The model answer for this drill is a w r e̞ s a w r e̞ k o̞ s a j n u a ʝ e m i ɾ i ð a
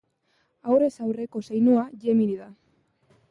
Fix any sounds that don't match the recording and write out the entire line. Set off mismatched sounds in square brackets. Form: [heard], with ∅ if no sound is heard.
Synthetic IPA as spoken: a w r e̞ s a w r e̞ k o̞ s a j n u a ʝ e m i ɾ i ð a